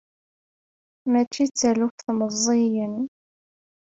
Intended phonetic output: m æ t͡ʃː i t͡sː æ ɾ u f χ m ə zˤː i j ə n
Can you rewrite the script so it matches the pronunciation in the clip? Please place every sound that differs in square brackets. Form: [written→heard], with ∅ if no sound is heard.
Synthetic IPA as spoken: m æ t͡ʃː i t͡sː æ [ɾ→l] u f [χ→θ] m ə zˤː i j ə n

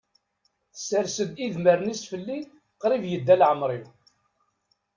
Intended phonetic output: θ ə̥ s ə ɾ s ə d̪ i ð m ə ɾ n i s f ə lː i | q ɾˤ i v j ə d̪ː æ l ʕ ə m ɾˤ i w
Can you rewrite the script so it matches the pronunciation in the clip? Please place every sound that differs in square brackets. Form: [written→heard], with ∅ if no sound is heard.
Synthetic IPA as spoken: θ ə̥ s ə ɾ s ə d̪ i ð m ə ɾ n i s f ə lː i | q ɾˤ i v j ə d̪ː æ l ʕ ə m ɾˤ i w

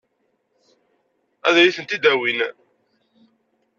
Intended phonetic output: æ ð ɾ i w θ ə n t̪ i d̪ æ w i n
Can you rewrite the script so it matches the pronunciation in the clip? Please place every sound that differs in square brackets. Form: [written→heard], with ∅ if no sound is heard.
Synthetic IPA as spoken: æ ð ɾ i [w→∅] θ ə n t̪ i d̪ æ w i n

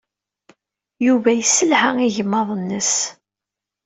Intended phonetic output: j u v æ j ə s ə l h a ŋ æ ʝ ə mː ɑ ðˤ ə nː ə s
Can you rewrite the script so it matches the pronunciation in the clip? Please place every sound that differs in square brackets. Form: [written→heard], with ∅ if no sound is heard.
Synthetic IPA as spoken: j u v æ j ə s ə l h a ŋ [æ→i] ʝ ə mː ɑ ðˤ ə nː ə s

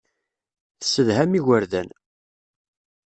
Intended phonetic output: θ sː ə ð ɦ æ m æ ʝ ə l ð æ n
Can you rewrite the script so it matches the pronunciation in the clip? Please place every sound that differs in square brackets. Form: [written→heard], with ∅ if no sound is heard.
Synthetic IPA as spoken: θ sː ə ð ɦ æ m [æ→i] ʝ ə [l→ɾ] ð æ n

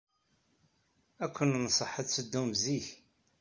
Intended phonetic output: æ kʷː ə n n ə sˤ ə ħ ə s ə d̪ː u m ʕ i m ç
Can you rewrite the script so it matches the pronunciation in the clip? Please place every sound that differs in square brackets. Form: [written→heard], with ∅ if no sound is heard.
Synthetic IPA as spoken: æ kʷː ə n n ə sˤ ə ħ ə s ə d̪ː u m [ʕ→z] i [m→∅] ç

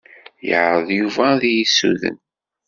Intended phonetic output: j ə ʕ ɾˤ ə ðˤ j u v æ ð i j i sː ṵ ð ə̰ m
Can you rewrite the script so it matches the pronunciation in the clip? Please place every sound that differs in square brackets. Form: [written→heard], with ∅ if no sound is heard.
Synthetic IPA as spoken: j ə ʕ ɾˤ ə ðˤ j u v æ ð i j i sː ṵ ð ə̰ [m→n]

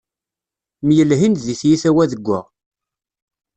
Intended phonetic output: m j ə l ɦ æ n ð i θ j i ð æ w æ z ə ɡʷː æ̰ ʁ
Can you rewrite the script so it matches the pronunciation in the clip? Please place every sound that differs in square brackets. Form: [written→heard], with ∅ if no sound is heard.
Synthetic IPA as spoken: m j ə l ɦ [æ→i] n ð i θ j i [ð→θ] æ w æ [z→ð] ə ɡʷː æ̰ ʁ

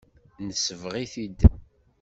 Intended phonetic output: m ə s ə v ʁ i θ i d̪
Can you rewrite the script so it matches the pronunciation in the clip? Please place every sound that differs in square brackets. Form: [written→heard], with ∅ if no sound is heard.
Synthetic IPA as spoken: [m→n] ə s ə v ʁ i θ i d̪

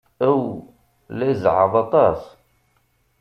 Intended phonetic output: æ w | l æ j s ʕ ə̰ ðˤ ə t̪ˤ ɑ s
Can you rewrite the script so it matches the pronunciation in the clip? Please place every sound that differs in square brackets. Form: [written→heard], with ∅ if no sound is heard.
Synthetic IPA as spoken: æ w | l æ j [s→z] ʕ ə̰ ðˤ [ə→ɑ] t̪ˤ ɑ s

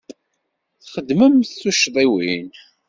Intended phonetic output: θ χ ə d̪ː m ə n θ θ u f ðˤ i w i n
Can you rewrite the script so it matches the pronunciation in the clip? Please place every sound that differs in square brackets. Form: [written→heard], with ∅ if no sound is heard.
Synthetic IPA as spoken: θ χ ə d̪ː m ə [n→m] θ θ u [f→ʃ] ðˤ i w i n

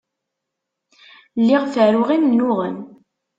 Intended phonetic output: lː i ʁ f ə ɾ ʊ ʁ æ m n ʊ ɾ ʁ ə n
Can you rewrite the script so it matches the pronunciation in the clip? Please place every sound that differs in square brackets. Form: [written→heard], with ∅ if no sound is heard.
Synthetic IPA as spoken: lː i ʁ f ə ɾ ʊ ʁ [æ→i] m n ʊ [ɾ→∅] ʁ ə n

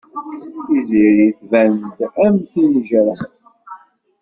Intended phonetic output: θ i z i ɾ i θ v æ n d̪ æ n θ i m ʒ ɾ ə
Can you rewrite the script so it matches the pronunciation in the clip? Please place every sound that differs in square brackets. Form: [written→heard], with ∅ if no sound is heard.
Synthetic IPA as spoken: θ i z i ɾ i θ v æ n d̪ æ [n→m] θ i [m→n] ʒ ɾ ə

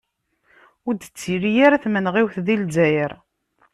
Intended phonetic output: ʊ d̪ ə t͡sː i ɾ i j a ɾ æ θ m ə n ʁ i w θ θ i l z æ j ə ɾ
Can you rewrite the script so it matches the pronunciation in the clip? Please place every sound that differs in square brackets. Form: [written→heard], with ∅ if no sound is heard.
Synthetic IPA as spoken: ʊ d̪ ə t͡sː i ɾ i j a ɾ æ θ m ə n ʁ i w θ [θ→ð] i l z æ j ə ɾ

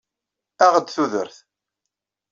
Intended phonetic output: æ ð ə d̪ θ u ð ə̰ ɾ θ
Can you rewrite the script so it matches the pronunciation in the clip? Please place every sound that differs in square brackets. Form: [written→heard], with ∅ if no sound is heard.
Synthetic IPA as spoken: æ [ð→ʁ] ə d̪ θ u ð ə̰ ɾ θ

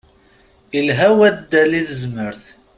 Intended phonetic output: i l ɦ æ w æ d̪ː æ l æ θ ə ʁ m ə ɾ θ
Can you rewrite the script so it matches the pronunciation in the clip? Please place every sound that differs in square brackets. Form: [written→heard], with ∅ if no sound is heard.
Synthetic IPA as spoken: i l ɦ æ w æ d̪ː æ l [æ→i] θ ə [ʁ→z] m ə ɾ θ

